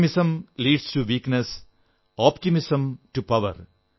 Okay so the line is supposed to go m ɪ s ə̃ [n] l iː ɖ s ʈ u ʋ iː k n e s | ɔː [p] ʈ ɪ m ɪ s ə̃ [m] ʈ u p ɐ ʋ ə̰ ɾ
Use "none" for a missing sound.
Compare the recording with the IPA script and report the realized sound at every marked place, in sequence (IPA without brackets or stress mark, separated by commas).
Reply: m, p, m